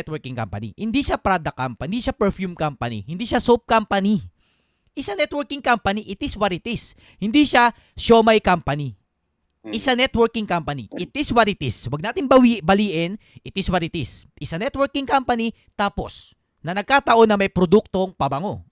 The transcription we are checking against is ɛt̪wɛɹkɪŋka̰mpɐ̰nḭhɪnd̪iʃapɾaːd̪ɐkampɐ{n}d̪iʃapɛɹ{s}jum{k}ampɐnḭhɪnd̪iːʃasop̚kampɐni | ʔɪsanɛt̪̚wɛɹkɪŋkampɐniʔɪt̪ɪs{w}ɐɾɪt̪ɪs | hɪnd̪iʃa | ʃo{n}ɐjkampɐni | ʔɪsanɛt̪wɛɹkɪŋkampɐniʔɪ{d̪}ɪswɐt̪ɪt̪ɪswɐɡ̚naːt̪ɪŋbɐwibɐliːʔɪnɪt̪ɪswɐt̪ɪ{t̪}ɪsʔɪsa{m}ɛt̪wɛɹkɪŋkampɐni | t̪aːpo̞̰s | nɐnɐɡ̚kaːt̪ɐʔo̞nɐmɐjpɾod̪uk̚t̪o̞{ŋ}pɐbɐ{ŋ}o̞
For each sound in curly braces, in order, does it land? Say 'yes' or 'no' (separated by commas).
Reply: yes, no, yes, yes, no, no, yes, no, yes, yes